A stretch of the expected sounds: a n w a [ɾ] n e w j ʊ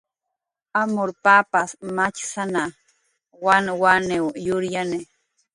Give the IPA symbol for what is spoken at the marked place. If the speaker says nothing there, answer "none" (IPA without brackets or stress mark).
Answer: none